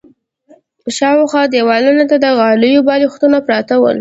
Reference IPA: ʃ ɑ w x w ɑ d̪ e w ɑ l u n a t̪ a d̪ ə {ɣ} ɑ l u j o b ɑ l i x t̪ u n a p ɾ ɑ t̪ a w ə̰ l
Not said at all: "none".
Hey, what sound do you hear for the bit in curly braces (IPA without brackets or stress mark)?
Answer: ɣ